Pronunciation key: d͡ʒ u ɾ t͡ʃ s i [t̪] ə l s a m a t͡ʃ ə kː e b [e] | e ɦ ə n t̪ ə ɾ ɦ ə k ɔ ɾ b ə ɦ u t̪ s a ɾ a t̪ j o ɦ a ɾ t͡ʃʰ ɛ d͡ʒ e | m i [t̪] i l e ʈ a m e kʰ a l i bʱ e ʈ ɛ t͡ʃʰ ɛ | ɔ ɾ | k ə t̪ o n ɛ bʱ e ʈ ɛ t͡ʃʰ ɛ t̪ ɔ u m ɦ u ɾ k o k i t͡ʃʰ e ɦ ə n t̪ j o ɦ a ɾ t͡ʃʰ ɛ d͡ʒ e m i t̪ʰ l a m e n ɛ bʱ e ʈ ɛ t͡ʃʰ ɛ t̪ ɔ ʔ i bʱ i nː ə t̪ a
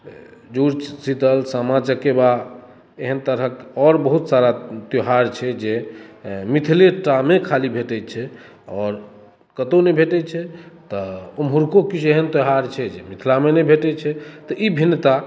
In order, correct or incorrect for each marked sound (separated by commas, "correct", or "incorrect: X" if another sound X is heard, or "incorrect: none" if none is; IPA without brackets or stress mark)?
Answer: correct, incorrect: a, incorrect: t̪ʰ